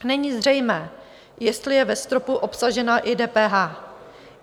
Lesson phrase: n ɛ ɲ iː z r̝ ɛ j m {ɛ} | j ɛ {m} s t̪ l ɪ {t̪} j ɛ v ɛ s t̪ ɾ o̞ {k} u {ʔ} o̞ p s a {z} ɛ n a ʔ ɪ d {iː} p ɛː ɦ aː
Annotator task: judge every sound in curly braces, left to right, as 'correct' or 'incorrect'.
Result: incorrect: ɛː, incorrect: none, incorrect: none, incorrect: p, correct, incorrect: ʒ, incorrect: ɛː

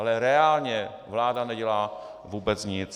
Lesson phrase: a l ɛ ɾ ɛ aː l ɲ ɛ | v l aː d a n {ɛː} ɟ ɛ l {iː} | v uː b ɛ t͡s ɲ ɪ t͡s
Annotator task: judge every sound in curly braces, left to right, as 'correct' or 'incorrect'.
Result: incorrect: ɛ, incorrect: aː

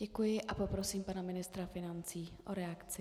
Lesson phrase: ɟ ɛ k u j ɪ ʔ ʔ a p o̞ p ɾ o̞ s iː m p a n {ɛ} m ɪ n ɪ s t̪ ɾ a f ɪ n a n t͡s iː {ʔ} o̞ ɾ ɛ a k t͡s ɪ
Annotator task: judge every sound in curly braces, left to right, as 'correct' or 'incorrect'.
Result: incorrect: a, correct

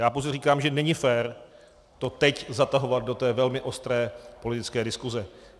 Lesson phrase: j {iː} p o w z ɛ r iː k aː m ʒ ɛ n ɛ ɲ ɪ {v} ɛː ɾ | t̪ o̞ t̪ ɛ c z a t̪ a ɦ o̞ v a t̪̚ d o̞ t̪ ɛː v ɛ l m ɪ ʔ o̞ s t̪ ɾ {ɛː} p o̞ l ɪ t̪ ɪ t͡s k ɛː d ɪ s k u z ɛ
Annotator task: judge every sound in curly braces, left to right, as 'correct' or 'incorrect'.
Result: incorrect: aː, incorrect: f, correct

